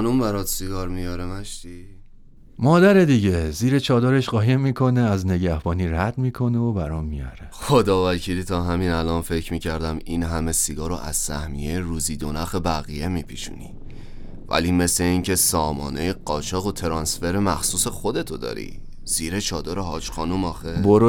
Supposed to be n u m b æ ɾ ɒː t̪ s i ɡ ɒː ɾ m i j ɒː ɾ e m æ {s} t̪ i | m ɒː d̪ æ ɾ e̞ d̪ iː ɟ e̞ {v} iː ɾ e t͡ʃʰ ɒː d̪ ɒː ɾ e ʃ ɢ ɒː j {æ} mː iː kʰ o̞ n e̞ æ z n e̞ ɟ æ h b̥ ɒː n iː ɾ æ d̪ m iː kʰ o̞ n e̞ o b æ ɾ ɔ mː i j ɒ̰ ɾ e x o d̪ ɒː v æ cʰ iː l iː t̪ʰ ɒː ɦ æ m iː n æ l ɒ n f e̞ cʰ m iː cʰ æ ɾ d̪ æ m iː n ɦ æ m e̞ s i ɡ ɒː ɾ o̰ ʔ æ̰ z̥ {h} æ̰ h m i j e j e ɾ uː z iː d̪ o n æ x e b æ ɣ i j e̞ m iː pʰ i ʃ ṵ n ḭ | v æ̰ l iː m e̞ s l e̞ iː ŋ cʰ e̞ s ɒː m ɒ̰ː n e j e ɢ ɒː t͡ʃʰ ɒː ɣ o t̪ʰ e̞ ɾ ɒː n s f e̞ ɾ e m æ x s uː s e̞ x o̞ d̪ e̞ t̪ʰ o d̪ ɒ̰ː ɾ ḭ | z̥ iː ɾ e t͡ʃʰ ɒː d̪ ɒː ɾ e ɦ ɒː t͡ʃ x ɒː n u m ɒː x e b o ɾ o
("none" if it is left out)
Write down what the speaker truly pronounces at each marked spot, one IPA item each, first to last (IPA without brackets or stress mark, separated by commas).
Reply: ʃ, z, e, s